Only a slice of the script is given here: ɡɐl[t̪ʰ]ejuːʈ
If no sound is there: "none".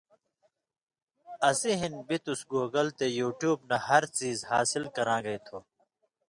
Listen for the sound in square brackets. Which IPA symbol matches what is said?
t̪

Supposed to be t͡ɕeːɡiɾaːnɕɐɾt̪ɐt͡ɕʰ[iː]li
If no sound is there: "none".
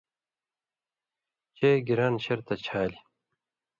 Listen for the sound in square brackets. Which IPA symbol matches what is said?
aː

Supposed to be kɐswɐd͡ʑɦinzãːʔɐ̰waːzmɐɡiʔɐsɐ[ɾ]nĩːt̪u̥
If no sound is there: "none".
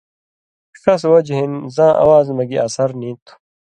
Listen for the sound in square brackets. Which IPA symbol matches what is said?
ɾ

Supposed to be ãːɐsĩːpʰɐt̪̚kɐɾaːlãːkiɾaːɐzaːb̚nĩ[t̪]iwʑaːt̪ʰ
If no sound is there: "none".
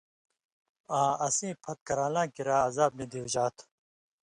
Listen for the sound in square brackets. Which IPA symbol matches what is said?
d̪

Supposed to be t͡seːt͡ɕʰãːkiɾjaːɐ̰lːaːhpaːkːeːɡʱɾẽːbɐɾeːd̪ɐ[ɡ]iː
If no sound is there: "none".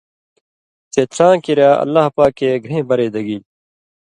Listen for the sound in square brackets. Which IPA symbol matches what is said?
ɡ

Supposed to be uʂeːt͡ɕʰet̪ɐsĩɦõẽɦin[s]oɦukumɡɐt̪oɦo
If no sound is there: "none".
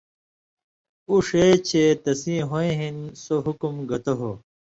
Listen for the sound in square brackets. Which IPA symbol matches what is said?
s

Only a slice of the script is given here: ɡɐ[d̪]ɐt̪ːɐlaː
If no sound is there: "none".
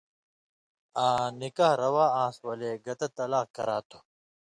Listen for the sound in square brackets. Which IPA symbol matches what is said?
t̪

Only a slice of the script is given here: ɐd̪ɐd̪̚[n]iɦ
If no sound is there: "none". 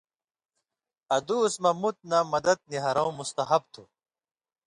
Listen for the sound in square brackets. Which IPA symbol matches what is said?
n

